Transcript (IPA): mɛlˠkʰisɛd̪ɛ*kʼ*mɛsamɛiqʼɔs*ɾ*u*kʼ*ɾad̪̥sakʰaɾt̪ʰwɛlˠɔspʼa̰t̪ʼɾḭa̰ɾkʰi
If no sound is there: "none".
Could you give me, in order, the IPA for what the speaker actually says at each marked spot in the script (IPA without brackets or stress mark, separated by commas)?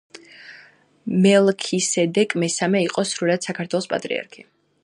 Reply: kʼ, ɾ, none